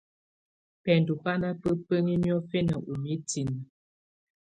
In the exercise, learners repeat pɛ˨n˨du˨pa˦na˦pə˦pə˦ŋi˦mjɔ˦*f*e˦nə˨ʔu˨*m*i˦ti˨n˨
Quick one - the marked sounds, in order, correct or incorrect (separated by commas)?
correct, correct